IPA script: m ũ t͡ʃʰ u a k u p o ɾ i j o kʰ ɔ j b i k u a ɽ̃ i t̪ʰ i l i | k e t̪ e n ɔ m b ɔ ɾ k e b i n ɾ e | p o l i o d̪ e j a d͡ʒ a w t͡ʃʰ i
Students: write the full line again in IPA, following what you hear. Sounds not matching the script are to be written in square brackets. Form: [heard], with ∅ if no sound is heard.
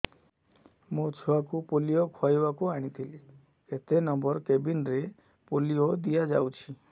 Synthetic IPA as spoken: m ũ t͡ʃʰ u a k u p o [l] i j o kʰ ɔ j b [a] k u a ɽ̃ i t̪ʰ i l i | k e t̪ e n ɔ m b ɔ ɾ k e b i n ɾ e | p o l i o d̪ [i] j a d͡ʒ a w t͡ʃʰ i